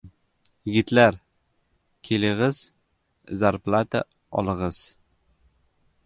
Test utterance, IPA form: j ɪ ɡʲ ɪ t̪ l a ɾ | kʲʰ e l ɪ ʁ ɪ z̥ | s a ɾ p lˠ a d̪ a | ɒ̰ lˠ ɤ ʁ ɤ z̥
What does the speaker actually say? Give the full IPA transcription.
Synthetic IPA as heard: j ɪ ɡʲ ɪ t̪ l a ɾ | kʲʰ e l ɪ ʁ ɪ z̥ | z a ɾ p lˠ a t̪ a | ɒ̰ lˠ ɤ ʁ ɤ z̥